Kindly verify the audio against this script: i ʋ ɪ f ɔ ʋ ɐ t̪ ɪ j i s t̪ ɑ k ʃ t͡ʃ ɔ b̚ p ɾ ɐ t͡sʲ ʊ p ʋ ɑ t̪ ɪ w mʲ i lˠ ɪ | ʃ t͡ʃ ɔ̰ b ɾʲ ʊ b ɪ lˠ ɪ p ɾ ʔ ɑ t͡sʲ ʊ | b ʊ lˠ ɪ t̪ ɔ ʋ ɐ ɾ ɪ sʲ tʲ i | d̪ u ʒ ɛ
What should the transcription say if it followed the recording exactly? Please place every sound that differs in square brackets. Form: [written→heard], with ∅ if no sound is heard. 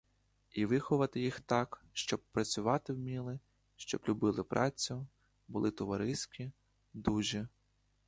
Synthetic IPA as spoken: i ʋ ɪ [f→x] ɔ ʋ ɐ t̪ ɪ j i [s→x] t̪ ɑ k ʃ t͡ʃ ɔ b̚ p ɾ ɐ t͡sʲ ʊ [p→∅] ʋ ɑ t̪ ɪ w mʲ i lˠ ɪ | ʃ t͡ʃ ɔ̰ b [ɾʲ→lʲ] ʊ b ɪ lˠ ɪ p ɾ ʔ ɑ t͡sʲ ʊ | b ʊ lˠ ɪ t̪ ɔ ʋ ɐ ɾ ɪ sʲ [tʲ→kʲ] i | d̪ u ʒ ɛ